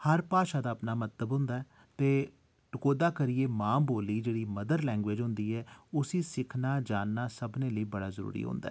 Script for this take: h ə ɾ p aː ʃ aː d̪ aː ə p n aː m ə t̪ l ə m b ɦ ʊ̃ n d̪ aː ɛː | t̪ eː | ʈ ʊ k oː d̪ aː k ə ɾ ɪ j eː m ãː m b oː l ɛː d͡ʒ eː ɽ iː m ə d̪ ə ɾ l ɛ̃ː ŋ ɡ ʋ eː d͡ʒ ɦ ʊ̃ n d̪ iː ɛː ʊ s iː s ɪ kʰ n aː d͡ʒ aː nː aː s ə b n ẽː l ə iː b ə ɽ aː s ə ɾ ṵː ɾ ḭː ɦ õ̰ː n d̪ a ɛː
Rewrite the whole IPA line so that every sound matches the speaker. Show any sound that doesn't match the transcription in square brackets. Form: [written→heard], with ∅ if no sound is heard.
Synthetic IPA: h ə ɾ p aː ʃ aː d̪ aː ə p n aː m ə t̪ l ə [m→∅] b ɦ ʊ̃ n d̪ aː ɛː | t̪ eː | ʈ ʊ k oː d̪ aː k ə ɾ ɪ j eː m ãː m b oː l [ɛː→iː] d͡ʒ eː ɽ iː m ə d̪ ə ɾ l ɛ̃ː ŋ ɡ ʋ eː d͡ʒ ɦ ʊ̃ n d̪ iː ɛː ʊ s iː s ɪ kʰ n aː d͡ʒ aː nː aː s ə b n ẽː l ə iː b ə ɽ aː [s→z] ə ɾ ṵː ɾ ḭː ɦ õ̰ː n d̪ a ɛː